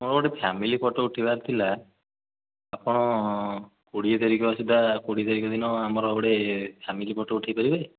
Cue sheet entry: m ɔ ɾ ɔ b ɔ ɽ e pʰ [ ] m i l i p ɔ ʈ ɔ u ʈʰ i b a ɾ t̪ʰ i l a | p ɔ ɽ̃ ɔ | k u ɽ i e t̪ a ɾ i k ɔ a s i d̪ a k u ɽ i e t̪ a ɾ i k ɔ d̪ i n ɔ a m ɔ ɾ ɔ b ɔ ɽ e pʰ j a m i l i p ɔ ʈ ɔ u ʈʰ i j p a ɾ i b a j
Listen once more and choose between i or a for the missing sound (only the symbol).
a